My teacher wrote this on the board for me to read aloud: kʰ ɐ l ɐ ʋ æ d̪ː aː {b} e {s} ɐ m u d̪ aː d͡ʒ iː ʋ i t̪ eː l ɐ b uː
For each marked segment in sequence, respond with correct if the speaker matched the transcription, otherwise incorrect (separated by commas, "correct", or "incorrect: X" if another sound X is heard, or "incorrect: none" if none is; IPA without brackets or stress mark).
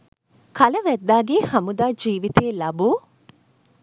incorrect: ɡ, incorrect: h